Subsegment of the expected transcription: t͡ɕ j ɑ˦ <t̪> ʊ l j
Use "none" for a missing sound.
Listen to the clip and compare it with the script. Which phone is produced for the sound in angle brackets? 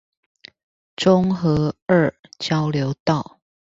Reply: none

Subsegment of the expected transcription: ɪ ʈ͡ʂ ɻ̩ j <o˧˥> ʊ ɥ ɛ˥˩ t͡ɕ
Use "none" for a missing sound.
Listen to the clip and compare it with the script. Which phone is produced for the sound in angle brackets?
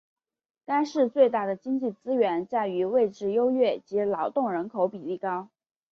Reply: o˥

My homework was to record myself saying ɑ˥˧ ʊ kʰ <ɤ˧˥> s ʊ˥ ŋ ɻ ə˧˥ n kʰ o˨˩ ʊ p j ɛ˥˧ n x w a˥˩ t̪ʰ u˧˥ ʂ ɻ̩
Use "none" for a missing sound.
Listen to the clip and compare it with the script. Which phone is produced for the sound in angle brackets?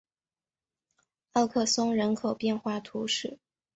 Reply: ɤ˥˩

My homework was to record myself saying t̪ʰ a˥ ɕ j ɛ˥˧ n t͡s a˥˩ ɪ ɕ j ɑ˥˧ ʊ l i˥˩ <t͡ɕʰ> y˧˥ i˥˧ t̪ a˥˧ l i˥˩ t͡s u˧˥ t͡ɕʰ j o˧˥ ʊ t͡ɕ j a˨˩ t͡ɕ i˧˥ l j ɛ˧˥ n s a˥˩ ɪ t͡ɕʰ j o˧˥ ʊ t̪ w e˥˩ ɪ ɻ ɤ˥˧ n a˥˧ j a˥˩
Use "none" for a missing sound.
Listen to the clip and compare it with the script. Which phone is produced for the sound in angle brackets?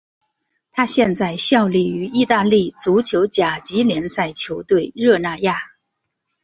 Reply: none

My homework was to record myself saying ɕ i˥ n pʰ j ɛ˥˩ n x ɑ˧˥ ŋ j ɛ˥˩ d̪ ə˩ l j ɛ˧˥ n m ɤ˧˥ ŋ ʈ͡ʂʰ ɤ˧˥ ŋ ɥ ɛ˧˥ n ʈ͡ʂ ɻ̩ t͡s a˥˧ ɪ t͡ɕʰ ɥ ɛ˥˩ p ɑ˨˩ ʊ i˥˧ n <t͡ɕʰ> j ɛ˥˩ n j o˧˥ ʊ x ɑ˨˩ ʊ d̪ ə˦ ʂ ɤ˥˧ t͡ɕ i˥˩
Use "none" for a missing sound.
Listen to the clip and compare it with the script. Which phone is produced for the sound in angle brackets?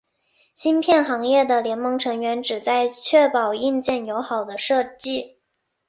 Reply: t͡ɕ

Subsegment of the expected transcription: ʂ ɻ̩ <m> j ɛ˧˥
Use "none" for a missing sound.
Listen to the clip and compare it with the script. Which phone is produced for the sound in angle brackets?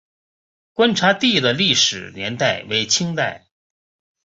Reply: n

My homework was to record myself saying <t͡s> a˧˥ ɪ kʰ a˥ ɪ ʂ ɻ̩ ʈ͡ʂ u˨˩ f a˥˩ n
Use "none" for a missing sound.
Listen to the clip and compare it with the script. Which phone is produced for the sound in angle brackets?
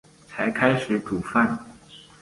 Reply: t͡sʰ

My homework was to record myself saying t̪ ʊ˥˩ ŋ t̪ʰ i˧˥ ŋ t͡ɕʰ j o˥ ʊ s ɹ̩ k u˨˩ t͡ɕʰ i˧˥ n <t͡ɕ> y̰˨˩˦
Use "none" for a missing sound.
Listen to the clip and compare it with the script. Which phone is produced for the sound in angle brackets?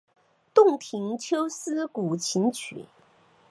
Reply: t͡ɕʰ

